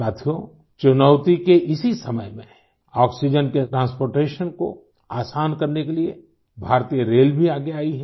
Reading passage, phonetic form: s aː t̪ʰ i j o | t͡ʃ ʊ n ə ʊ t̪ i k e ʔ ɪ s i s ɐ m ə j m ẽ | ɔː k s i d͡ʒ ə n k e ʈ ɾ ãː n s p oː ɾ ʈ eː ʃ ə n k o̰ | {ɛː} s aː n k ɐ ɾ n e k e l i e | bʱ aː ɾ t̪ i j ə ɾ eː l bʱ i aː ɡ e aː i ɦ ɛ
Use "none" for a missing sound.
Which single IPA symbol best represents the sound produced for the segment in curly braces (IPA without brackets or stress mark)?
aː